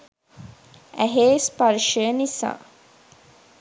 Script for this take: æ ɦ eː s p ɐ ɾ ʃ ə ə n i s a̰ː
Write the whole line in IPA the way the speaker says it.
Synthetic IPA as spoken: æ ɦ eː s p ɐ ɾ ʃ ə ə n i s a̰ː